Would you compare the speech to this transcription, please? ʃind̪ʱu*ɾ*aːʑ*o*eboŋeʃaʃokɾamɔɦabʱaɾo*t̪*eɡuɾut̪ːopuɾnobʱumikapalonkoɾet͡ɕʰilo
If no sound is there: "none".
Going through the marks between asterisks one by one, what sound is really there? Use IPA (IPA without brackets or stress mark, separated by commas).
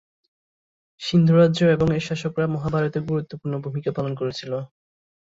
ɾ, o, t̪